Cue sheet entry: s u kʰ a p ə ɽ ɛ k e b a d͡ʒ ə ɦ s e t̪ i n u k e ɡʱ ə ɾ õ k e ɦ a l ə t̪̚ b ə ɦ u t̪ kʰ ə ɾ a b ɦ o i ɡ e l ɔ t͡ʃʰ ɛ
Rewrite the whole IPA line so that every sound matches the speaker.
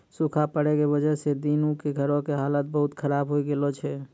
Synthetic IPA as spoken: s u kʰ a p ə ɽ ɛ k e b ə d͡ʒ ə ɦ s e d̪ i n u k e ɡʱ ə ɾ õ k e ɦ a l ə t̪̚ b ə ɦ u t̪ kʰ ə ɾ a b ɦ o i ɡ e l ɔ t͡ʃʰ ɛ